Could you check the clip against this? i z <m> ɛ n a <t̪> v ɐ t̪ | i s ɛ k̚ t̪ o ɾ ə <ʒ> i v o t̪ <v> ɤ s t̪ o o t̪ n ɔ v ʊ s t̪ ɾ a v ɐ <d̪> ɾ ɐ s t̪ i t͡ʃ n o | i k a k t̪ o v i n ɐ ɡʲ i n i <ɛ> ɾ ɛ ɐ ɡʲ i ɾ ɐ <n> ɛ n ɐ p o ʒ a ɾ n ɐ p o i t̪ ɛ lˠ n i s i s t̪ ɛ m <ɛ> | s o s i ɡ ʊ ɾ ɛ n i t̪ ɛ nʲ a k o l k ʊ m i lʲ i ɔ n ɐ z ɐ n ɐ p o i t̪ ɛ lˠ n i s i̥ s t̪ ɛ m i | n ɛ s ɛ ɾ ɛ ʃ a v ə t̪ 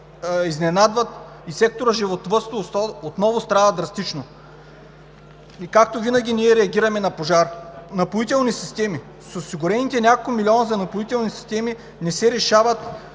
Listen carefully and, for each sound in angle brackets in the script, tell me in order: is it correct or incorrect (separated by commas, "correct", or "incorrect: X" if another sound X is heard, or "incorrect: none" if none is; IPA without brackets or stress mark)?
incorrect: n, incorrect: d̪, correct, correct, correct, correct, incorrect: m, incorrect: i